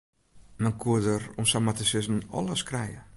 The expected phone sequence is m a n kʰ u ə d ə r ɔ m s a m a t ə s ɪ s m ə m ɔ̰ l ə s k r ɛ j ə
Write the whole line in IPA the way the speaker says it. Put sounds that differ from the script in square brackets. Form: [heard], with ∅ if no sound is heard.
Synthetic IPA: m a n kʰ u ə d ə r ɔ m s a m a t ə s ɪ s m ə [n] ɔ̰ l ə s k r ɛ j ə